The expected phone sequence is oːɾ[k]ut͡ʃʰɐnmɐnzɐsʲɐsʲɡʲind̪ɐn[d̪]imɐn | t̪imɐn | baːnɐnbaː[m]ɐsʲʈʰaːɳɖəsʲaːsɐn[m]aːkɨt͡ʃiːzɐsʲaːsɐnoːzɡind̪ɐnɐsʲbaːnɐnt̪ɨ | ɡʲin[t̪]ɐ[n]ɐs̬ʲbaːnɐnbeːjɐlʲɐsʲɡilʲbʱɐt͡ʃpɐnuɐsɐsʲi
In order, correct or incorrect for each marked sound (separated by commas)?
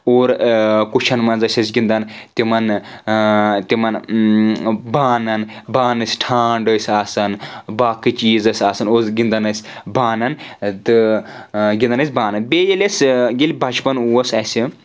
correct, incorrect, incorrect, incorrect, incorrect, correct